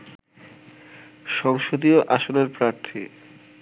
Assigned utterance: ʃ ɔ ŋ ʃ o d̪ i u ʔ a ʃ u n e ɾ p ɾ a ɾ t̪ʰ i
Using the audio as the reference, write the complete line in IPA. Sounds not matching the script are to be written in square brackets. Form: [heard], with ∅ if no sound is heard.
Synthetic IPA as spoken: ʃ ɔ ŋ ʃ o d̪ i [o] ʔ a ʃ [o] n e ɾ p ɾ a ɾ t̪ʰ i